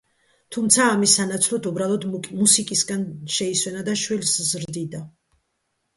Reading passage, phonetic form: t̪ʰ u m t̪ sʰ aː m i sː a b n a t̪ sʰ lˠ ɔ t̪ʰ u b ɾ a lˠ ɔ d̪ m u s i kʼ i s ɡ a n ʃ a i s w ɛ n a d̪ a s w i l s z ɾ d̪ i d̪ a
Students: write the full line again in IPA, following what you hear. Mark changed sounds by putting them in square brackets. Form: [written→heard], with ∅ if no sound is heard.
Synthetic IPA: t̪ʰ u m t̪ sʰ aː m i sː a [b→∅] n a t̪ sʰ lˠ ɔ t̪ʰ u b ɾ a lˠ ɔ d̪ m u s i kʼ i s ɡ a n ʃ [a→ɛ] i s w ɛ n a d̪ a [s→ʃ] w i l s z ɾ d̪ i d̪ a

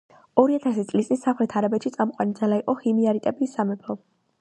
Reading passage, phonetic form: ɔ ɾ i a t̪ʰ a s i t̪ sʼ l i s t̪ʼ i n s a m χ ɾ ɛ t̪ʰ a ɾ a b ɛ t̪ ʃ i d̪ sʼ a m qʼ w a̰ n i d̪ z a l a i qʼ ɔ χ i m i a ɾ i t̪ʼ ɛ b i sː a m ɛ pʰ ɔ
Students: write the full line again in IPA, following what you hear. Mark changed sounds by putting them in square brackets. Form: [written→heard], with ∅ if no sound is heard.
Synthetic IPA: ɔ ɾ i a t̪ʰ a s i t̪ sʼ l i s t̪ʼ i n s a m χ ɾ ɛ t̪ʰ a ɾ a b ɛ t̪ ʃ i [d̪→t̪] sʼ a m qʼ w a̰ n i d̪ z a l a i qʼ ɔ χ i m i a ɾ i t̪ʼ ɛ b i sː a m ɛ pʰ ɔ

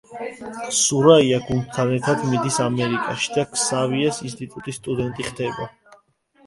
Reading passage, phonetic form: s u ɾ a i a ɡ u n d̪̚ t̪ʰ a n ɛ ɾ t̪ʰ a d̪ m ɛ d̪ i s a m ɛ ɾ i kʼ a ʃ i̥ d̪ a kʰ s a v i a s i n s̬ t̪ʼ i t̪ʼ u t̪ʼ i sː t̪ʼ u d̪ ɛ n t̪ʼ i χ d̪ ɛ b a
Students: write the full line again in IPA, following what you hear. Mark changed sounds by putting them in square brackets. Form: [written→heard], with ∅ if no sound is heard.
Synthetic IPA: s u ɾ a i a ɡ u n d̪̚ t̪ʰ a n ɛ ɾ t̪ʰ a d̪ m [ɛ→i] d̪ i s a m ɛ ɾ i kʼ a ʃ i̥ d̪ a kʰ s a v i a s i n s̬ t̪ʼ i t̪ʼ u t̪ʼ i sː t̪ʼ u d̪ ɛ n t̪ʼ i χ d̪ ɛ b a

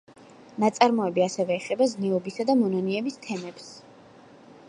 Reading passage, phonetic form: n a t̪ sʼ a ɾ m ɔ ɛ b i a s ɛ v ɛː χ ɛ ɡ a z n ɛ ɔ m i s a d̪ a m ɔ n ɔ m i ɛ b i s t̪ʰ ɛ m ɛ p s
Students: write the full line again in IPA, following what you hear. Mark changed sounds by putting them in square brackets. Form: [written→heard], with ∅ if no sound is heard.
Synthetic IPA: n a t̪ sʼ a ɾ m ɔ ɛ b i a s ɛ v ɛː χ ɛ [ɡ→b] a z n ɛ ɔ [m→b] i s a d̪ a m ɔ n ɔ [m→n] i ɛ b i s t̪ʰ ɛ m ɛ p s

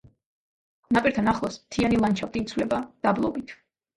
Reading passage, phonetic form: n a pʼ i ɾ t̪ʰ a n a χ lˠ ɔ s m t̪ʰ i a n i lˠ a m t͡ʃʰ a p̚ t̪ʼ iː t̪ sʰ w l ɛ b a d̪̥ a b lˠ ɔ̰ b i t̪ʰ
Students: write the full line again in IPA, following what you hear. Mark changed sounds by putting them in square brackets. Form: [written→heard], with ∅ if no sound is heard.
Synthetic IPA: n a pʼ i ɾ t̪ʰ a n a χ lˠ ɔ s m t̪ʰ i a n i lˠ a [m→n] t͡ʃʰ a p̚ t̪ʼ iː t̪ sʰ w l ɛ b a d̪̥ a b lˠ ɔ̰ b i t̪ʰ

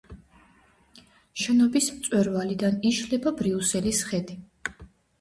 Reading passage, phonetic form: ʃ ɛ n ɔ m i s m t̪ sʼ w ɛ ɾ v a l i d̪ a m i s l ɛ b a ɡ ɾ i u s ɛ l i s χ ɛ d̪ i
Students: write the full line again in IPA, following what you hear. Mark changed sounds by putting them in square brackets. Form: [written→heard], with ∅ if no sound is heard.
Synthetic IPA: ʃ ɛ n ɔ [m→b] i s m t̪ sʼ w ɛ ɾ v a l i d̪ a [m→n] i [s→ʃ] l ɛ b a [ɡ→b] ɾ i u s ɛ l i s χ ɛ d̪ i

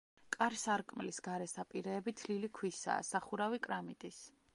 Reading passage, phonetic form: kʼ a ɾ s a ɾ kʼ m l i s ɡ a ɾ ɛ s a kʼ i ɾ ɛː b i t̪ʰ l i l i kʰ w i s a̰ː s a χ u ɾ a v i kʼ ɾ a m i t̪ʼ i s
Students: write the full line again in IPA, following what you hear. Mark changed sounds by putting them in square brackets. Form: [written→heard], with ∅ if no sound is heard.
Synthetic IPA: kʼ a ɾ s a ɾ kʼ m l i s ɡ a ɾ ɛ s a [kʼ→pʼ] i ɾ ɛː b i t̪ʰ l i l i kʰ w i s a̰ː s a χ u ɾ a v i kʼ ɾ a m i t̪ʼ i s

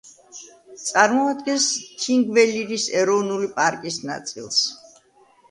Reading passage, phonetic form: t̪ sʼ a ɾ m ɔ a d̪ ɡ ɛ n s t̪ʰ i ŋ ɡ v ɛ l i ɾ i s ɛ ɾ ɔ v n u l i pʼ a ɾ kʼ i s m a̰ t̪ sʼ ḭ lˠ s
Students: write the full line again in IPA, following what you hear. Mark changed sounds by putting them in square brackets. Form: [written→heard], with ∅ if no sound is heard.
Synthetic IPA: t̪ sʼ a ɾ m ɔ a d̪ ɡ ɛ n s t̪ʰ i ŋ ɡ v ɛ l i ɾ i s ɛ ɾ ɔ v n u l i pʼ a ɾ kʼ i s [m→n] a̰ t̪ sʼ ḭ lˠ s

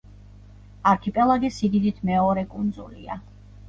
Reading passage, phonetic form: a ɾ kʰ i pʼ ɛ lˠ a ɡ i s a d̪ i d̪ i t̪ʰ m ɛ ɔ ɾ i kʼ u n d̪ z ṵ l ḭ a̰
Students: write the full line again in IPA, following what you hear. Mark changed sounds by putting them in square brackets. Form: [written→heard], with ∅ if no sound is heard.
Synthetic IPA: a ɾ kʰ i pʼ ɛ lˠ a ɡ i s [a→i] d̪ i d̪ i t̪ʰ m ɛ ɔ ɾ [i→ɛ] kʼ u n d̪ z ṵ l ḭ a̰

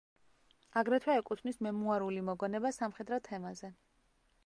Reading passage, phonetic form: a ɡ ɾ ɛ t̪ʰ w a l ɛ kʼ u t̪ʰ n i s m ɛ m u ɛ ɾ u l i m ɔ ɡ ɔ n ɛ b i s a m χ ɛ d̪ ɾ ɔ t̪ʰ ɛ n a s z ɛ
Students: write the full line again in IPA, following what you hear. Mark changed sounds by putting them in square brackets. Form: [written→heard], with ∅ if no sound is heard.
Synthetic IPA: a ɡ ɾ ɛ t̪ʰ w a [l→∅] ɛ kʼ u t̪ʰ n i s m ɛ m u [ɛ→a] ɾ u l i m ɔ ɡ ɔ n ɛ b [i→a] s a m χ ɛ d̪ ɾ ɔ t̪ʰ ɛ [n→m] a [s→∅] z ɛ

